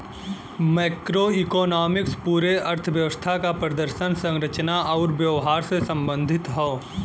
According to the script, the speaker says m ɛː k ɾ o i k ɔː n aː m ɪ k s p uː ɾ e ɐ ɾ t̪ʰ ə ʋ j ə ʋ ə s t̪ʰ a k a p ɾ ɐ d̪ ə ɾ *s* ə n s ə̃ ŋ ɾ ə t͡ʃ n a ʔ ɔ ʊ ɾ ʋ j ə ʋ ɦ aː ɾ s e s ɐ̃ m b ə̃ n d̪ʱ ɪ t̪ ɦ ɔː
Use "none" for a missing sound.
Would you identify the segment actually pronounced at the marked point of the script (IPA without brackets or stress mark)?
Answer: ʃ